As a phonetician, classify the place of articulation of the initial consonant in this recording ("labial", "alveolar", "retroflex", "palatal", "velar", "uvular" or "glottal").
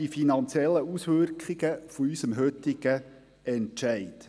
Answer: labial